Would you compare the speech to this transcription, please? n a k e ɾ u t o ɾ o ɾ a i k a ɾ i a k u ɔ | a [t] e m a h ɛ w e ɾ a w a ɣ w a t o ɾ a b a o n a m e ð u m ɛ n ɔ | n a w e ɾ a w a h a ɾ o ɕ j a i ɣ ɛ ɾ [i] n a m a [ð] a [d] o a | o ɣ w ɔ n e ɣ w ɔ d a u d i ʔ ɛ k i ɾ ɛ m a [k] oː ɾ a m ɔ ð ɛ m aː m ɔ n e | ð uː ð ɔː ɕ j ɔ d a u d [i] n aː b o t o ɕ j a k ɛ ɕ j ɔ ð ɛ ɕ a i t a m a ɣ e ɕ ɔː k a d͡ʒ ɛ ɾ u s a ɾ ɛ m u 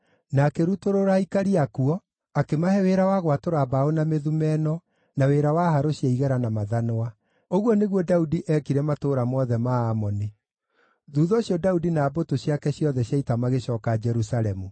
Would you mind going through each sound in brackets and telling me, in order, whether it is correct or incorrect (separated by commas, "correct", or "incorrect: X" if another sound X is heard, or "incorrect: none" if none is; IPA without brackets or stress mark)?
incorrect: k, incorrect: a, correct, incorrect: n, incorrect: t, correct